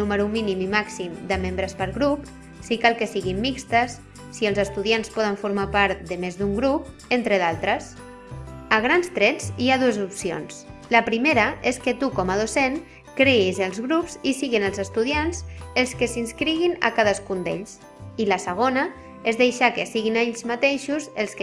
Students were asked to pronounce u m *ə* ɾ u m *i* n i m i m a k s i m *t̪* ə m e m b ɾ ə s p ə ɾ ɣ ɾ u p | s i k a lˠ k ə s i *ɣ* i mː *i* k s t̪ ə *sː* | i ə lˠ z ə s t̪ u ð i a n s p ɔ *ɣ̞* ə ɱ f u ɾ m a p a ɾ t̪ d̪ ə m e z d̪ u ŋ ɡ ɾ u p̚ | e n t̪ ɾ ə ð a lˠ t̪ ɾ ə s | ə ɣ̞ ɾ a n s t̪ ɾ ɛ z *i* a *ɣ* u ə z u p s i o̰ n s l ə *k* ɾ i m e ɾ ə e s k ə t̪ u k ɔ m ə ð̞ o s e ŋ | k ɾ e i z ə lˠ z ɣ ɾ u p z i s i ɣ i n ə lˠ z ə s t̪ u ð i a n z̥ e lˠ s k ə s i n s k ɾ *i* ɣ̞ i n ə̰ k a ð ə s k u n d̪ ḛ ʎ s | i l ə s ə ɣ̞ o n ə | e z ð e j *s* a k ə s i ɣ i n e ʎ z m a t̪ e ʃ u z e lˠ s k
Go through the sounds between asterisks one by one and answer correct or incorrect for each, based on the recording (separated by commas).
correct, correct, incorrect, correct, correct, correct, incorrect, correct, incorrect, incorrect, correct, incorrect